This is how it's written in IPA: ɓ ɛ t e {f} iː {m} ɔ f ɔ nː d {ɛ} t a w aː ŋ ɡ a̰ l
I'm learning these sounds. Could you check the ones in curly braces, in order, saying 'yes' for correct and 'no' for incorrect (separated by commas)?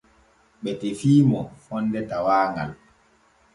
yes, yes, yes